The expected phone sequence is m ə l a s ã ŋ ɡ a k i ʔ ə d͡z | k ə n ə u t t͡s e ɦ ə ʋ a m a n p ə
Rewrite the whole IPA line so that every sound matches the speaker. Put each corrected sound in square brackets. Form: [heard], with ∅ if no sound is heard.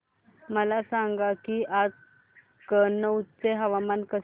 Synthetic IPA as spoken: m ə l a s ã ŋ ɡ a k i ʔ [a] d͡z | k ə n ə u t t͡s e ɦ ə ʋ a m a n [k] ə